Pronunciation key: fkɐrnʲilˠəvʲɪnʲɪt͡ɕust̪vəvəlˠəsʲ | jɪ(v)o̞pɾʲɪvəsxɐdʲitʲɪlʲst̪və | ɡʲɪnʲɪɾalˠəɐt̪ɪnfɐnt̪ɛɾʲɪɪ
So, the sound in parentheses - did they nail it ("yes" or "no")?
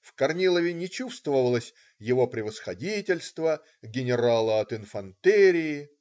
yes